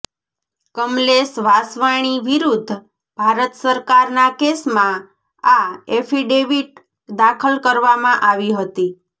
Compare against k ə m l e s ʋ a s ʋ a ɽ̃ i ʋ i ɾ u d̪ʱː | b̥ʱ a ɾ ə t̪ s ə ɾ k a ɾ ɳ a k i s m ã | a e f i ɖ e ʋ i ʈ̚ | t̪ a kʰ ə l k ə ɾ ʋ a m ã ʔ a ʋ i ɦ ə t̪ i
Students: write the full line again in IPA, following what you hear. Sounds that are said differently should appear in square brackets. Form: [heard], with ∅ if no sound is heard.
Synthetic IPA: k ə m l e s ʋ a s ʋ a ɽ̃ i ʋ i ɾ u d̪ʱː | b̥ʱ a ɾ ə t̪ s ə ɾ k a ɾ [n] a k [e] s m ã | a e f i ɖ e ʋ i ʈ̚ | [d̪] a kʰ ə l k ə ɾ ʋ a m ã ʔ a ʋ i ɦ ə t̪ i